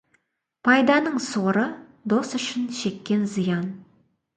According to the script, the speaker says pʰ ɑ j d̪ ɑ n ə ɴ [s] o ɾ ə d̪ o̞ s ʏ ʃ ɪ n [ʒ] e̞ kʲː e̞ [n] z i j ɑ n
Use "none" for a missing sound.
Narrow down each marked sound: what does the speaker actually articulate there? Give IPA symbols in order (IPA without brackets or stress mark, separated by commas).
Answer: s, ʃ, n